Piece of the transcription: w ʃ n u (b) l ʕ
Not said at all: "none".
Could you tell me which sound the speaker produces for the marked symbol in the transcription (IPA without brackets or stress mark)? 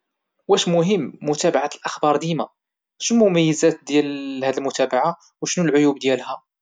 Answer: none